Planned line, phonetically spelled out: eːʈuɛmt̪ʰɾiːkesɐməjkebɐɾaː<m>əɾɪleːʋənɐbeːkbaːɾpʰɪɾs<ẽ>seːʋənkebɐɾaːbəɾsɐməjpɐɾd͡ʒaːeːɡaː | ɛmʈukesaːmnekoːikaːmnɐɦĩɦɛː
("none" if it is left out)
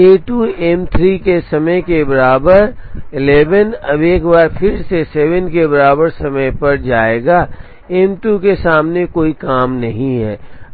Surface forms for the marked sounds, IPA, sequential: b, e

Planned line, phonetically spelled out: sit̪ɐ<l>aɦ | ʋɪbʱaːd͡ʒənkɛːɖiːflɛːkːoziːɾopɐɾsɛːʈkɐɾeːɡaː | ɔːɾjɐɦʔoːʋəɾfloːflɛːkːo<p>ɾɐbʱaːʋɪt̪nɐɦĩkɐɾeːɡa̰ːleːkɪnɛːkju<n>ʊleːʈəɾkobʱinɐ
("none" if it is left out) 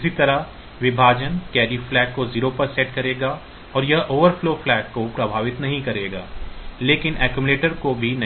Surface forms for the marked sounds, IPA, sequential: ɾ, p, m

